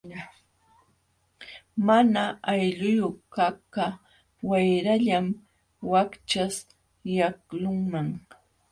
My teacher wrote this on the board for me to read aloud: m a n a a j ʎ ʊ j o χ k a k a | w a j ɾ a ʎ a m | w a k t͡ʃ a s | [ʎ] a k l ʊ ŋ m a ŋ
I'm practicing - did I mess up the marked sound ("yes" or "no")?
yes